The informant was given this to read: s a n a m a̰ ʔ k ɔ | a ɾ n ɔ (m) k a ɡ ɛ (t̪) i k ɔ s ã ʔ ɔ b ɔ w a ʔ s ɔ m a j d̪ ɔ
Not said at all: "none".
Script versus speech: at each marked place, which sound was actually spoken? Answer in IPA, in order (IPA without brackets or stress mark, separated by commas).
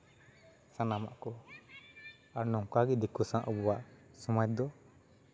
ŋ, d̪